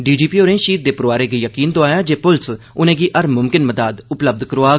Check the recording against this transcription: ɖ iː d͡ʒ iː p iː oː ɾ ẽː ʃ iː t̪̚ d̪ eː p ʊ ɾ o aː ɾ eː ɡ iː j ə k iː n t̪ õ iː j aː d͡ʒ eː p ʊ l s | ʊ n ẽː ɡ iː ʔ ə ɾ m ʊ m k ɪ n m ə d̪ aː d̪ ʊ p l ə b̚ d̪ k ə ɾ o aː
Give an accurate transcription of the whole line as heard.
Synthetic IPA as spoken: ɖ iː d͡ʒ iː p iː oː ɾ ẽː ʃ iː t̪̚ d̪ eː p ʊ ɾ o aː ɾ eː ɡ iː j ə k iː n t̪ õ aː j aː d͡ʒ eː p ʊ l s | ʊ n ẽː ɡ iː ʔ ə ɾ m ʊ m k ɪ n m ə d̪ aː d̪ ʊ p l ə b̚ d̪ k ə ɾ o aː